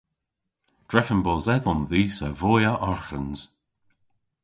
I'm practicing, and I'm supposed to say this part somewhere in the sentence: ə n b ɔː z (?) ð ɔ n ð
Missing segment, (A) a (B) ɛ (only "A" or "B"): B